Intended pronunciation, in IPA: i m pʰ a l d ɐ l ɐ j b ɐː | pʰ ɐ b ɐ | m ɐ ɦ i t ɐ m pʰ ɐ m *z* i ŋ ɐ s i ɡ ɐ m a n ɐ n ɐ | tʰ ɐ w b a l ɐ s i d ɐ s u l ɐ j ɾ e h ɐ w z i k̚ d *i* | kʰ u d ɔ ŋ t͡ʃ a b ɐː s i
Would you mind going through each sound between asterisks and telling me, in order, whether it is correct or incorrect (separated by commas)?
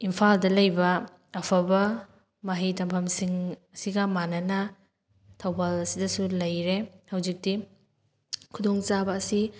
incorrect, correct